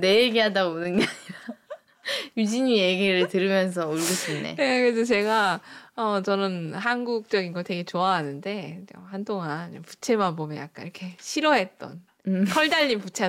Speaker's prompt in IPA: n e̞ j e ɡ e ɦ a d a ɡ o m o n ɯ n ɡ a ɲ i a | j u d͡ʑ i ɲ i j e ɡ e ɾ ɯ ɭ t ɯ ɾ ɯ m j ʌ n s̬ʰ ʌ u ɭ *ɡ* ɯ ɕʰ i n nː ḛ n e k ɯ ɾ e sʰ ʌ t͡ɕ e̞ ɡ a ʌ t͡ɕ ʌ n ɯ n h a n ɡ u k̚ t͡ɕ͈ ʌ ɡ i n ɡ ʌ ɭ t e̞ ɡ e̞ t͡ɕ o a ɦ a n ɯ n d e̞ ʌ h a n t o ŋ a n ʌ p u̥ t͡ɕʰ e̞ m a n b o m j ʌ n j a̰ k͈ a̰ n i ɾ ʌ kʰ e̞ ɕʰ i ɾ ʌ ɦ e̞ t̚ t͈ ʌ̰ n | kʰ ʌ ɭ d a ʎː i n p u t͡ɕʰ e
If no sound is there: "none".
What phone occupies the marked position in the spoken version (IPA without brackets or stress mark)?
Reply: ɡ